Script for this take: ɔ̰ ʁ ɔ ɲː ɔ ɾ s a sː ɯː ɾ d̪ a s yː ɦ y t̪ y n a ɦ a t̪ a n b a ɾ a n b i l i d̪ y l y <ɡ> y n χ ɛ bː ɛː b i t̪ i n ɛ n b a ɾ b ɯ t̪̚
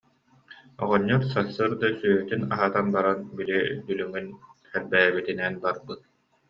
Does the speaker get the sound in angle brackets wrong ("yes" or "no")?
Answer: yes